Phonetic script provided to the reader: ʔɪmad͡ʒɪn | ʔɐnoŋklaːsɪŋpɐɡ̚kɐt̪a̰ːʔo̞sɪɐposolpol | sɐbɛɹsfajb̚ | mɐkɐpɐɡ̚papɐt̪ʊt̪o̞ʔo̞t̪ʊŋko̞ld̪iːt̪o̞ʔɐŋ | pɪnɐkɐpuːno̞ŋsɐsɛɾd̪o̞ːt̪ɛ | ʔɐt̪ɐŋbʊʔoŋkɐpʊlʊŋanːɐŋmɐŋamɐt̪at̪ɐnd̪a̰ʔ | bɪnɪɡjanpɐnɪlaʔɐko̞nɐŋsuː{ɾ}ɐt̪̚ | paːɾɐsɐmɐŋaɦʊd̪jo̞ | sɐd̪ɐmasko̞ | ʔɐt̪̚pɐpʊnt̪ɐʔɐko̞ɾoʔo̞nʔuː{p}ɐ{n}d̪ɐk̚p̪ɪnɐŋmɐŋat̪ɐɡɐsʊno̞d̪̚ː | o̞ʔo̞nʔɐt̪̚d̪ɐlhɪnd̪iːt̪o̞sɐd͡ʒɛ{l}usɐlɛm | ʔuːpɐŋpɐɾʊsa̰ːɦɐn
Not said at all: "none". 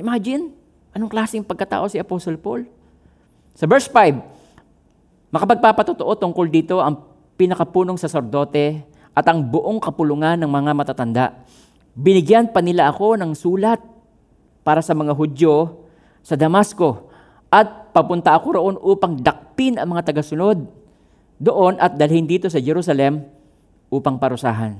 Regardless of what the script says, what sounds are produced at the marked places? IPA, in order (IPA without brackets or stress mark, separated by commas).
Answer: l, p, ŋ, ɾ